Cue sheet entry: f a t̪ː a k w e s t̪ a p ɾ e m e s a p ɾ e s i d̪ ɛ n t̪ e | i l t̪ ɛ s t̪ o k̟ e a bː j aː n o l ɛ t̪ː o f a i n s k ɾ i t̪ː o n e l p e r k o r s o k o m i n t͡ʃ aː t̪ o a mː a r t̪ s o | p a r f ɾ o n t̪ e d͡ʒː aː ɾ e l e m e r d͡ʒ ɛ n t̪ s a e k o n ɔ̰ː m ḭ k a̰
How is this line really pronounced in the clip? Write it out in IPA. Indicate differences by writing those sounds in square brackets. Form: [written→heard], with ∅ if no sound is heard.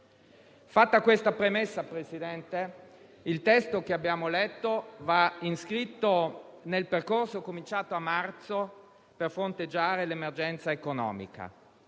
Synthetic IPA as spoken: f a t̪ː a k w e s t̪ a p ɾ e m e [s→sː] a p ɾ e s i d̪ ɛ n t̪ e | i l t̪ ɛ s t̪ o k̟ e a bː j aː [n→m] o l ɛ t̪ː o [f→v] a i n s k ɾ i t̪ː o n e l p e r k o r s o k o m i n t͡ʃ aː t̪ o a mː a r t̪ s o | p [a→e] r f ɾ o n t̪ e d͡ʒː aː ɾ e l e m e r d͡ʒ ɛ n t̪ s a e k o n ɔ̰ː m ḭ k a̰

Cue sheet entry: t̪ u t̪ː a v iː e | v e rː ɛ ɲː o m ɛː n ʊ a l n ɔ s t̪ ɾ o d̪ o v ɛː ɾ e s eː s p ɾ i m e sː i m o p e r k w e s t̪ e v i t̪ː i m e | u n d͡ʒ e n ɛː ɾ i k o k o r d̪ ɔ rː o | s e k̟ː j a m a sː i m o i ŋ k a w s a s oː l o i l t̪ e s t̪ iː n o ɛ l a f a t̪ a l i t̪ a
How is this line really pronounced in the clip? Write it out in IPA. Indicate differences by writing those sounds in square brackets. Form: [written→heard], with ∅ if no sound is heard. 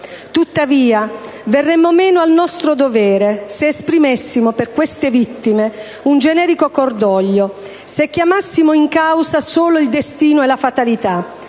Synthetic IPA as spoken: t̪ u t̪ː a v iː [e→a] | v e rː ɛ [ɲː→mː] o m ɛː n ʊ a l n ɔ s t̪ ɾ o d̪ o v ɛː ɾ e s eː s p ɾ i m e sː i m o p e r k w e s t̪ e v i t̪ː i m e | u n d͡ʒ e n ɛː ɾ i k o k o r d̪ ɔ [rː→ʎː] o | s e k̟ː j a m a sː i m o i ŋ k a w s a s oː l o i l [t̪→d̪] e s t̪ iː n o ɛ l a f a t̪ a l i t̪ a

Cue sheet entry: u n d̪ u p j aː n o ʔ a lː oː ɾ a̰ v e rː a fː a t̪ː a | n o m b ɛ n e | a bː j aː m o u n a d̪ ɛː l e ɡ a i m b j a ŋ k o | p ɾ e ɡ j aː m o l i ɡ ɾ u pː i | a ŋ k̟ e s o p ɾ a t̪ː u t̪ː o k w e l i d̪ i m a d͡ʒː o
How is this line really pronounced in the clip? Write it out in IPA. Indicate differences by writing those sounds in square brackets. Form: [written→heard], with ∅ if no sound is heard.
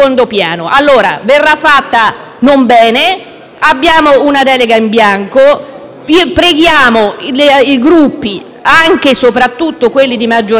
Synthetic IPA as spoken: [u→o] n d̪ [u→o] p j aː n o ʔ a lː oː ɾ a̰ v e rː a fː a t̪ː a | n o m b [ɛ→ɛː] n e | a bː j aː m o u n a d̪ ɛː l e ɡ a i m b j a ŋ k o | p ɾ e ɡ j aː m o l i ɡ ɾ u pː i | a ŋ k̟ e s o p ɾ a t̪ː u t̪ː o k w e [l→lː] i d̪ i m a d͡ʒː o

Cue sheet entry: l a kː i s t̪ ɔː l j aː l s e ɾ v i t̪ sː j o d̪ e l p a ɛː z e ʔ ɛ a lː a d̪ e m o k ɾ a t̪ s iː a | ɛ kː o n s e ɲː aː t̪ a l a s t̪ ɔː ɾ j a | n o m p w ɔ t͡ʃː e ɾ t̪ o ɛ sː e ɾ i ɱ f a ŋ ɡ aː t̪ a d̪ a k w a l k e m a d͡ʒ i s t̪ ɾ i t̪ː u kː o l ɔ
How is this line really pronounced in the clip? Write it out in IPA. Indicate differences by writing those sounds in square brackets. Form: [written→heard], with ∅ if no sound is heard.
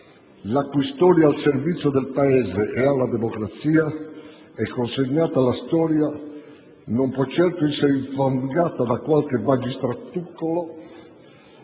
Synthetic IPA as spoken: l a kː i s t̪ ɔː [l→ɾ] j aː l s e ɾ v i t̪ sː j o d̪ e l p a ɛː z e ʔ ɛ a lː a d̪ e m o k ɾ a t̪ s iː a | ɛ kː o n s e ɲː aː t̪ a l a s t̪ ɔː ɾ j a | n o m p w ɔ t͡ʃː [e→ɛ] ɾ t̪ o ɛ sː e ɾ i ɱ f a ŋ ɡ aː t̪ a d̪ a k w a l k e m a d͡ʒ i s t̪ ɾ [i→a] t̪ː u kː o l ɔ

